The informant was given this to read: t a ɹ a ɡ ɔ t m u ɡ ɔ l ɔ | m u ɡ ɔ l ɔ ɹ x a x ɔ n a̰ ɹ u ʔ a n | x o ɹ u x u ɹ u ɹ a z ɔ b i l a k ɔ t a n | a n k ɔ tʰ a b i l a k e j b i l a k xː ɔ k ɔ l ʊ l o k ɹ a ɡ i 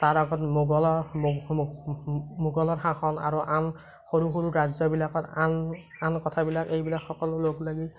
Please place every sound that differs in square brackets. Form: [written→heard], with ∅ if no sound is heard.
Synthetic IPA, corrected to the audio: t a ɹ a ɡ ɔ t m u ɡ ɔ l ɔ | m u ɡ ɔ l ɔ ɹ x a x ɔ n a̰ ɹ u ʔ a n | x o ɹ u x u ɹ u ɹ a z ɔ b i l a k ɔ t a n | a n k ɔ tʰ a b i l a k e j b i l a k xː ɔ k ɔ l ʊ l o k [ɹ→l] a ɡ i

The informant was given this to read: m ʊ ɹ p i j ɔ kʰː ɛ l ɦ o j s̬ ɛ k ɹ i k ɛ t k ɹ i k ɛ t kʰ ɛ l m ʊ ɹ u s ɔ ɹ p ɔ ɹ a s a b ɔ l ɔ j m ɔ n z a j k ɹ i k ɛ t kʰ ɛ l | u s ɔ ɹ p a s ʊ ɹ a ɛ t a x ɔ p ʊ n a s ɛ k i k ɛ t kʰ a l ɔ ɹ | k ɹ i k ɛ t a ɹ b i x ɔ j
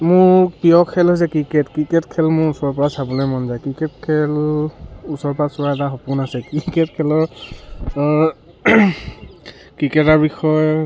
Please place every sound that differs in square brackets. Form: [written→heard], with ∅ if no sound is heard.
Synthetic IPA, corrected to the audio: m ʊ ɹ p i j ɔ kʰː ɛ l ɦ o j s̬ ɛ k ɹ i k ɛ t k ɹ i k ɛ t kʰ ɛ l m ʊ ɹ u s ɔ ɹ p ɔ ɹ a s a b ɔ l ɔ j m ɔ n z a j k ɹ i k ɛ t kʰ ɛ l | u s ɔ ɹ p a s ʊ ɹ a ɛ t a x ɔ p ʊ n a s ɛ k i k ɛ t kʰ [a→ɛ] l ɔ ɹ | k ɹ i k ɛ t a ɹ b i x ɔ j

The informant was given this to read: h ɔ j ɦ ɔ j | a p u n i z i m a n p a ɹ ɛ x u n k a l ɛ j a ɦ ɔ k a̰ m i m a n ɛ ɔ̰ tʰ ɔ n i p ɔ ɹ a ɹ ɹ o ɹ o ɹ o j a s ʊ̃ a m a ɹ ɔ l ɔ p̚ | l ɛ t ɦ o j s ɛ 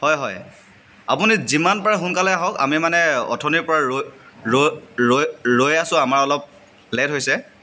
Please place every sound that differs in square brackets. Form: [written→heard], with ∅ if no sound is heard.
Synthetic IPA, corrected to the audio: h ɔ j ɦ ɔ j | a p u n i z i m a n p a ɹ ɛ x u n k a l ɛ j a ɦ ɔ k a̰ m i m a n ɛ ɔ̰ tʰ ɔ n i p ɔ ɹ a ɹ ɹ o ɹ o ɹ o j a s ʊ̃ a m a ɹ ɔ l ɔ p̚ | l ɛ t ɦ o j s ɛ

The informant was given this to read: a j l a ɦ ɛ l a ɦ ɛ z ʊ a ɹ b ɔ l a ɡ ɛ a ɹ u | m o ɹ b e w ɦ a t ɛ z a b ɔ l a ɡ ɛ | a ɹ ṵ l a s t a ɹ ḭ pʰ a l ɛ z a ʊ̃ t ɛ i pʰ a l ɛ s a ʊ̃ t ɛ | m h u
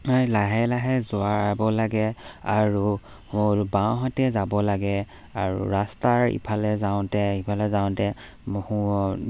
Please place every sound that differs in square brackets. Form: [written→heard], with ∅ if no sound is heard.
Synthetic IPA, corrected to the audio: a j l a ɦ ɛ l a ɦ ɛ z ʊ a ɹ b ɔ l a ɡ ɛ a ɹ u | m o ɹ b [e→a] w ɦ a t ɛ z a b ɔ l a ɡ ɛ | a ɹ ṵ [l→ɹ] a s t a ɹ ḭ pʰ a l ɛ z a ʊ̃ t ɛ i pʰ a l ɛ [s→z] a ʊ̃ t ɛ | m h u

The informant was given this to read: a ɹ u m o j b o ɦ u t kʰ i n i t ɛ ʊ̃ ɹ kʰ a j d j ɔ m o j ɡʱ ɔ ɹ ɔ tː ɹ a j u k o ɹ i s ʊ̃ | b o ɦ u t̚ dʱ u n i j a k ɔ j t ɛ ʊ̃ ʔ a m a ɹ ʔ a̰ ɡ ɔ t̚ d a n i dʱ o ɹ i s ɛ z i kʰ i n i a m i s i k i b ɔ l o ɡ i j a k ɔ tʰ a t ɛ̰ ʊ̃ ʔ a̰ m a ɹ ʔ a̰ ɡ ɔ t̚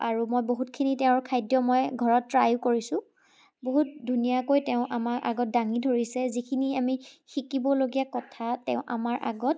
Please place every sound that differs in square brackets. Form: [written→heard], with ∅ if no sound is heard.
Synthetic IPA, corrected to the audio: a ɹ u m o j b o ɦ u t kʰ i n i t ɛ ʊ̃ ɹ kʰ a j d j ɔ m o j ɡʱ ɔ ɹ ɔ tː ɹ a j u k o ɹ i s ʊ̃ | b o ɦ u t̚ dʱ u n i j a k [ɔ→o] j t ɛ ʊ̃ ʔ a m a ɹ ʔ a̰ ɡ ɔ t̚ d a [n→ŋ] i dʱ o ɹ i s ɛ z i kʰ i n i a m i [s→x] i k i b ɔ l o ɡ i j a k ɔ tʰ a t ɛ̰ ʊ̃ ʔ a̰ m a ɹ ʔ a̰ ɡ ɔ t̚

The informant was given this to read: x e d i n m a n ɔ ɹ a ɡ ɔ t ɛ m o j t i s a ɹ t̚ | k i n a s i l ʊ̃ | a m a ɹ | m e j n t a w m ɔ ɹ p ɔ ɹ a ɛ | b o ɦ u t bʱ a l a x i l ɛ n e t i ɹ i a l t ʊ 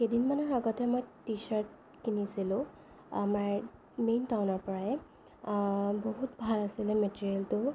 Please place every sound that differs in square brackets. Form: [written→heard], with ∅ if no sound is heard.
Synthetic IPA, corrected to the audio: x e d i n m a n ɔ ɹ a ɡ ɔ t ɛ m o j t i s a ɹ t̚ | k i n [a→i] s i l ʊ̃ | a m a ɹ | m e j n t a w [m→n] ɔ ɹ p ɔ ɹ a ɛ | b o ɦ u t bʱ a l a [x→s] i l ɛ [n→m] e t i ɹ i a l t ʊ

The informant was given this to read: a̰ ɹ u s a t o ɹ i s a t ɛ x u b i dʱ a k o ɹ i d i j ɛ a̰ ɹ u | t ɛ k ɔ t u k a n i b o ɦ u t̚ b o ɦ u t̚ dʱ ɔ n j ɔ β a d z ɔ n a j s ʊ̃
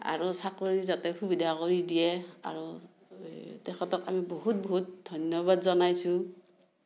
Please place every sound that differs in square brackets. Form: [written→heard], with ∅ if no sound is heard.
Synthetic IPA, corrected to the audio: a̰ ɹ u s a [t→k] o ɹ i [s→z] a t ɛ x u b i dʱ a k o ɹ i d i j ɛ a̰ ɹ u | t ɛ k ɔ t [u→ɔ] k a [n→m] i b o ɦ u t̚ b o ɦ u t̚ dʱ ɔ n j ɔ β a d z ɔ n a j s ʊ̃

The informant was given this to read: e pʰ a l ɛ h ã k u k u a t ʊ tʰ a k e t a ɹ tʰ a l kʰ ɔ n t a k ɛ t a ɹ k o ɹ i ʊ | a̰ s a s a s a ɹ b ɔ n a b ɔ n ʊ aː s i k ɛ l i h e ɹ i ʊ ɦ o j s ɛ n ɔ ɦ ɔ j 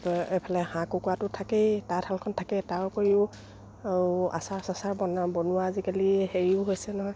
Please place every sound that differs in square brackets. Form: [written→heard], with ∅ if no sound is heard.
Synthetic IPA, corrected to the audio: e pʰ a l ɛ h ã k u k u a t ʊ tʰ a k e t a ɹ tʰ a l kʰ ɔ n [t→tʰ] a k ɛ t a ɹ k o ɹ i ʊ | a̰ s a s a s a ɹ b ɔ n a b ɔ n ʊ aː [s→z] i k [ɛ→a] l i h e ɹ i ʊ ɦ o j s ɛ n ɔ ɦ ɔ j

